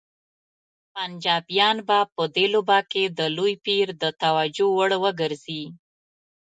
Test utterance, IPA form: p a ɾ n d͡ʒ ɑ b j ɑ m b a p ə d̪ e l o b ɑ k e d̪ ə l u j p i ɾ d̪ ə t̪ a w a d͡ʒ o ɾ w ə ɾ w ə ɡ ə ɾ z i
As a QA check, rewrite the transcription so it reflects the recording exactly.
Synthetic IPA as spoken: p a n d͡ʒ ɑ b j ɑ n b a p ə d̪ e l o b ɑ k e d̪ ə l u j p i ɾ d̪ ə t̪ a w a d͡ʒ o w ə ɽ w ə ɡ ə ɾ z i